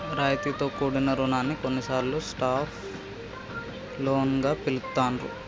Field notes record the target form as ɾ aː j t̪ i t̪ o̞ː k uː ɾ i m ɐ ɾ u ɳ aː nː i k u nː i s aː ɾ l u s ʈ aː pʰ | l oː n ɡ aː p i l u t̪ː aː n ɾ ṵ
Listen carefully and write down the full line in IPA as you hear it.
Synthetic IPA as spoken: ɾ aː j t̪ i t̪ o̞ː k uː ɽ i n ɐ ɾ u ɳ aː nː i k o nː i s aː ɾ l u s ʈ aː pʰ | l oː n ɡ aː p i l u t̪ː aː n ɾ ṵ